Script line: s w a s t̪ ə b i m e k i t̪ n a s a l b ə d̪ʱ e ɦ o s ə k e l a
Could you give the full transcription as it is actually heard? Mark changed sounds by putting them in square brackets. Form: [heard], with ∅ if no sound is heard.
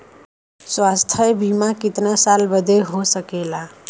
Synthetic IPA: s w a s [t̪ʰ] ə b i m [a] k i t̪ n a s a l b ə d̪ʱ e ɦ o s ə k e l a